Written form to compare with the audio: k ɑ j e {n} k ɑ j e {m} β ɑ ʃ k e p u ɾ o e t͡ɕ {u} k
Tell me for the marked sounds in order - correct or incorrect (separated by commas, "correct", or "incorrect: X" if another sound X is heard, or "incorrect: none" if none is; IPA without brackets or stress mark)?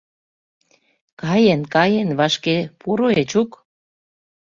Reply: correct, incorrect: n, correct